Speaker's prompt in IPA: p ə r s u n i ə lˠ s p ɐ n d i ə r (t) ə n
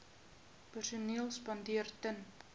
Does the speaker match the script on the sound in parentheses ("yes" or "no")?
yes